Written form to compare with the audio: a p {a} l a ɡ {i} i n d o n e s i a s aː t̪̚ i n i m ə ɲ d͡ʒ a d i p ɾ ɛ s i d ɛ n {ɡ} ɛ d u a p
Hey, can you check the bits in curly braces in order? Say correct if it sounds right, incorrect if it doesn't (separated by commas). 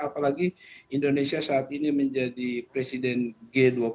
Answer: correct, correct, correct